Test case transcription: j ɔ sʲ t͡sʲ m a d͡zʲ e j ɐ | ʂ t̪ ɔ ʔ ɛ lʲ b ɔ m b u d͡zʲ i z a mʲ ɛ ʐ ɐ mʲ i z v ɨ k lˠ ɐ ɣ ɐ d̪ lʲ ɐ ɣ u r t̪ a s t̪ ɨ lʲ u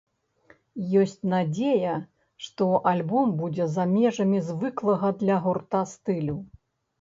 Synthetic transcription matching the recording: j ɔ sʲ t͡sʲ n a d͡zʲ e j ɐ | ʂ t̪ ɔ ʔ a lʲ b ɔ m b u d͡zʲ ɛ z a mʲ ɛ ʐ ɐ mʲ i z v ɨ k lˠ ɐ ɣ ɐ d̪ lʲ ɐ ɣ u r t̪ a s t̪ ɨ lʲ u

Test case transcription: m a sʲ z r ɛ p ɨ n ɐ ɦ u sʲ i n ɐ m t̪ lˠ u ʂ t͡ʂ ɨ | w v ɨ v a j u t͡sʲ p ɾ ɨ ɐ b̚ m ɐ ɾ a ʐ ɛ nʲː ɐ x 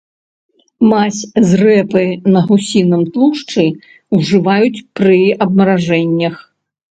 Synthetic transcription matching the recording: m a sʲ z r ɛ p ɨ n ɐ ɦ u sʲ i n ɐ m t̪ lˠ u ʂ t͡ʂ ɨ | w ʐ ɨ v a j u t͡sʲ p ɾ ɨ ɐ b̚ m ɐ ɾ a ʐ ɛ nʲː ɐ x

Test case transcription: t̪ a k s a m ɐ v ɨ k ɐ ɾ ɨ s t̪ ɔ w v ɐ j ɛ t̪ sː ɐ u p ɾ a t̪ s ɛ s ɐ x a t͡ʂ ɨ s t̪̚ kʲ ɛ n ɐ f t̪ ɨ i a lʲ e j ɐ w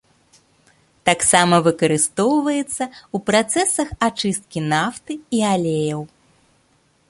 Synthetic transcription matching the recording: t̪ a k s a m ɐ v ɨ k ɐ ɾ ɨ s t̪ ɔ w v ɐ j ɛ t̪ sː ɐ u p ɾ a t̪ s ɛ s ɐ x a t͡ʂ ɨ s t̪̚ kʲ i n a f t̪ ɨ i a lʲ e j ɐ w

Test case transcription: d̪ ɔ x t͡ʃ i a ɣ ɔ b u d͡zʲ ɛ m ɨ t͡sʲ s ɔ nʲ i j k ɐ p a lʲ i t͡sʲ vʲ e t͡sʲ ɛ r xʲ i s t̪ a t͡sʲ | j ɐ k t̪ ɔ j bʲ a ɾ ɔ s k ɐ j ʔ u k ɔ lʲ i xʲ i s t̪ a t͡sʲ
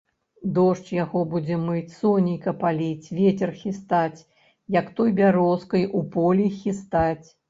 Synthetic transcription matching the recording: d̪ ɔ ʂ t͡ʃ j a ɣ ɔ b u d͡zʲ ɛ m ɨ t͡sʲ s ɔ nʲ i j k ɐ p a lʲ i t͡sʲ vʲ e t͡sʲ ɛ r xʲ i s t̪ a t͡sʲ | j ɐ k t̪ ɔ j bʲ a ɾ ɔ s k ɐ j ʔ u p ɔ lʲ i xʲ i s t̪ a t͡sʲ

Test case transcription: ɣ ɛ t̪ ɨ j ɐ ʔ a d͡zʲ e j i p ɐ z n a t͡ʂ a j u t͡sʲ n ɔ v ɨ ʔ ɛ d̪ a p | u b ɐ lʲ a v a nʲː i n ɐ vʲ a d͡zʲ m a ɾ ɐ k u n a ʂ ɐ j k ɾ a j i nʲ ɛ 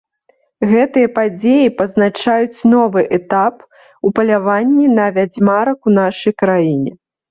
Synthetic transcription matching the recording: ɣ ɛ t̪ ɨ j ɐ p a d͡zʲ e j i p ɐ z n a t͡ʂ a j u t͡sʲ n ɔ v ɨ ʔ ɛ t̪ a p | u p ɐ lʲ a v a nʲː i n ɐ vʲ a d͡zʲ m a ɾ ɐ k u n a ʂ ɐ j k ɾ a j i nʲ ɛ

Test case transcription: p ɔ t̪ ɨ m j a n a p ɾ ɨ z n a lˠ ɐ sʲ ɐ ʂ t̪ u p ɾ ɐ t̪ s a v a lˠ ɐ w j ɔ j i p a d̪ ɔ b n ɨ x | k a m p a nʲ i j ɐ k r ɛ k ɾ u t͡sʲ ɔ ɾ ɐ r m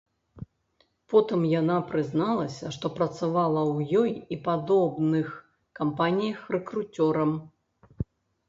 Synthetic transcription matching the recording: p ɔ t̪ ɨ m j a n a p ɾ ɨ z n a lˠ ɐ sʲ ɐ ʂ t̪ ɔ p ɾ ɐ t̪ s a v a lˠ ɐ w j ɔ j i p a d̪ ɔ b n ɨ x | k a m p a nʲ i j ɐ x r ɛ k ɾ u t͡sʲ ɔ ɾ ɐ m

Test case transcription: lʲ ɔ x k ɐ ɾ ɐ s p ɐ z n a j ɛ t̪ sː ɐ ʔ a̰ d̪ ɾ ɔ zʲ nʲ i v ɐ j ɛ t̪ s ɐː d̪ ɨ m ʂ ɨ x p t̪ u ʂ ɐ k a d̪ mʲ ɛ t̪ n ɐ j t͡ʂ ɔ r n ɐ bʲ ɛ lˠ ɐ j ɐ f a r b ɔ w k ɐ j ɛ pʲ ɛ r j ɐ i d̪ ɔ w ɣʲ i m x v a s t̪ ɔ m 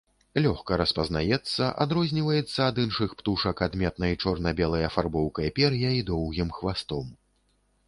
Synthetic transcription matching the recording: lʲ ɔ x k ɐ ɾ ɐ s p ɐ z n a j ɛ t̪ sː ɐ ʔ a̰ d̪ ɾ ɔ zʲ nʲ i v ɐ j ɛ t̪ sː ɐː d̪ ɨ n ʂ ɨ x p t̪ u ʂ ɐ k a d̪ mʲ ɛ t̪ n ɐ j t͡ʂ ɔ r n ɐ bʲ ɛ lˠ ɐ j ɐ f a r b ɔ w k ɐ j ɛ pʲ ɛ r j ɐ i d̪ ɔ w ɣʲ i m x v a s t̪ ɔ m

